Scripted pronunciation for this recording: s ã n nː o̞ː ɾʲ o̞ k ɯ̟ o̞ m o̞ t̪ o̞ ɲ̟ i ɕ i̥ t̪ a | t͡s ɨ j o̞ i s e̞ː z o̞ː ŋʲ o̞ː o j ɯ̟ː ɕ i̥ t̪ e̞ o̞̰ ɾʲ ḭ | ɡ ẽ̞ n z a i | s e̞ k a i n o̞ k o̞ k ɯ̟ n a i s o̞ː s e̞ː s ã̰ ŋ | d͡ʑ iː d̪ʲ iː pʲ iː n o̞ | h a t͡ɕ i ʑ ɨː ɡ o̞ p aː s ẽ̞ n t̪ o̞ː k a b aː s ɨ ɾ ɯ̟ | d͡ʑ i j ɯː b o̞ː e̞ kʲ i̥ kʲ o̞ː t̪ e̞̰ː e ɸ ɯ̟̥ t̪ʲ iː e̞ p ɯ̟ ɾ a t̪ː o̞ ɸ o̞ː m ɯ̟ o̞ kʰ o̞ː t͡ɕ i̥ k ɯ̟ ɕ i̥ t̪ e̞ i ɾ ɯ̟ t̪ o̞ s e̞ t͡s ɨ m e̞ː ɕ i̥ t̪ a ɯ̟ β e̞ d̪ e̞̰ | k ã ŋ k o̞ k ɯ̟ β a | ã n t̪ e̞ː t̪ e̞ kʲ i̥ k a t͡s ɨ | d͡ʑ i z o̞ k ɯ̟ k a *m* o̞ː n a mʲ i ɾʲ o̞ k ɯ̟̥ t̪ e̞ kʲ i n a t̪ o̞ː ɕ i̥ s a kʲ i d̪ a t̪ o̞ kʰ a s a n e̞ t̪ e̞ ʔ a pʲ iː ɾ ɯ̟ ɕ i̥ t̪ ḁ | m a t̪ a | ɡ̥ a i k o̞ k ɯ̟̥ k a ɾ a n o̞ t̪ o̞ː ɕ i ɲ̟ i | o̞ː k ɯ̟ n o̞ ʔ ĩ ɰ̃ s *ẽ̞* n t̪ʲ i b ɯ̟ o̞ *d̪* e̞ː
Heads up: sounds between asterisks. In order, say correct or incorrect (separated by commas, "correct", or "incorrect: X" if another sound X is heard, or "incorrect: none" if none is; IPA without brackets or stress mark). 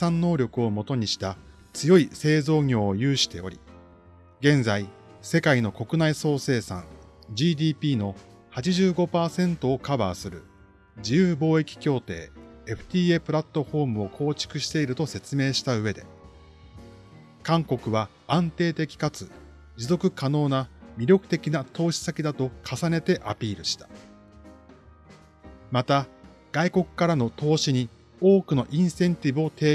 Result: incorrect: n, correct, incorrect: t̪